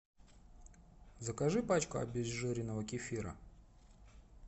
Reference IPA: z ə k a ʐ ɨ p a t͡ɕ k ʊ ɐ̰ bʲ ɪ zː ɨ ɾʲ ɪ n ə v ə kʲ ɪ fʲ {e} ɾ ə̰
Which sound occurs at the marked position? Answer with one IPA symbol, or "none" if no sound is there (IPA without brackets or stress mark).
i